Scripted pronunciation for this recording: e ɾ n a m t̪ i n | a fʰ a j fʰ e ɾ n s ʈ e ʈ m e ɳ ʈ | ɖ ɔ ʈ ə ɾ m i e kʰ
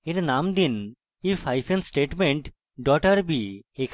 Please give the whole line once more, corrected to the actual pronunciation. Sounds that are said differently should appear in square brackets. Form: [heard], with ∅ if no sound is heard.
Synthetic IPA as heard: e ɾ n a m [d̪] i n | [i] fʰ a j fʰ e [∅] n s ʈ e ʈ m e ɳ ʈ | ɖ ɔ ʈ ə ɾ [b] i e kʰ